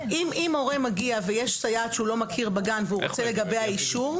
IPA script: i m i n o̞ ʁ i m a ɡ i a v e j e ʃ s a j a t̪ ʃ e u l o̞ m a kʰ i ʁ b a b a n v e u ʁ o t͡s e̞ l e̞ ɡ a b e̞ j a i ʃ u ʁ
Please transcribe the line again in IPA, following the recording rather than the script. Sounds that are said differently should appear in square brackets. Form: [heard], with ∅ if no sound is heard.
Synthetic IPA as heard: i m i [m] o̞ ʁ [e] m a ɡ i a v e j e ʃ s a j a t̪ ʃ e u l o̞ m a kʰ i ʁ b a [ɡ] a n v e u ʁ o t͡s e̞ l e̞ ɡ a b e̞ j a i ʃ u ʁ